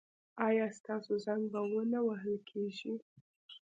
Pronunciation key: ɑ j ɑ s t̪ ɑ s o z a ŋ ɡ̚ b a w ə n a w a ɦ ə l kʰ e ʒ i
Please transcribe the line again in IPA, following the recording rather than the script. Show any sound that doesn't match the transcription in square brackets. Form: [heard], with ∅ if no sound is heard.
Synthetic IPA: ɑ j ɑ s t̪ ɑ s o z a ŋ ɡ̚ b a w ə n a w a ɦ ə l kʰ e ʒ i